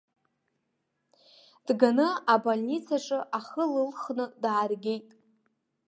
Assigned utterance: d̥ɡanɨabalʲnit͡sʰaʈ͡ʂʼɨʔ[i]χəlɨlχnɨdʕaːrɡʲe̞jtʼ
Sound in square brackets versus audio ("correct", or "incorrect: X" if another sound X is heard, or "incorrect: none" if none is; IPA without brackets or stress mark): incorrect: a